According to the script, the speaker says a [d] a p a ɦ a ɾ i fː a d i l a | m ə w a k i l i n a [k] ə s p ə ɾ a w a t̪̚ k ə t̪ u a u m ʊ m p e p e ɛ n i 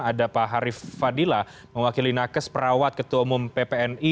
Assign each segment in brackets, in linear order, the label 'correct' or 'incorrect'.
correct, correct

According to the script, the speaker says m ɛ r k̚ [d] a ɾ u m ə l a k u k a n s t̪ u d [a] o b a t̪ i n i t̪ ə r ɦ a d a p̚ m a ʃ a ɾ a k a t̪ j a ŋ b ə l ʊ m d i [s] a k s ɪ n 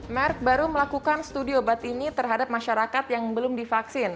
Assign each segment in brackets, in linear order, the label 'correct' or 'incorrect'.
incorrect, incorrect, incorrect

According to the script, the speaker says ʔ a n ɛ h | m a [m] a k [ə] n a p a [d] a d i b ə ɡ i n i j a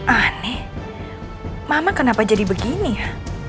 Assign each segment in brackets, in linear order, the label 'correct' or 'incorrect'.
correct, correct, incorrect

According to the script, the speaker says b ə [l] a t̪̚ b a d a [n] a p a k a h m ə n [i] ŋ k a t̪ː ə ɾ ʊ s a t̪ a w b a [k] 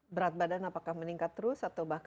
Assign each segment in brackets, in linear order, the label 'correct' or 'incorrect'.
incorrect, correct, correct, correct

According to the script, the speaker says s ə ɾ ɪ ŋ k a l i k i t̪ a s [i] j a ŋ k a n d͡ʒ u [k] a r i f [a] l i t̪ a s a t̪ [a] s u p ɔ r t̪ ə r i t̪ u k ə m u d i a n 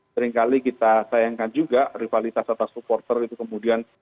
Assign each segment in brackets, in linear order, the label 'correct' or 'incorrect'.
incorrect, incorrect, correct, correct

